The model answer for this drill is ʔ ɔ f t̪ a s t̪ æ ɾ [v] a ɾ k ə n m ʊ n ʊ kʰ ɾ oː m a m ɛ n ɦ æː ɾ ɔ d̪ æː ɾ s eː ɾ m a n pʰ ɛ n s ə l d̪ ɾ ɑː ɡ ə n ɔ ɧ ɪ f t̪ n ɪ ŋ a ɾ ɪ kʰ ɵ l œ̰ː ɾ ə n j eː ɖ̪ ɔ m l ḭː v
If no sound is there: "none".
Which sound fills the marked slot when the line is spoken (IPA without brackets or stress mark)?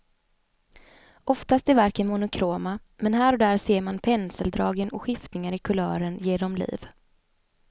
v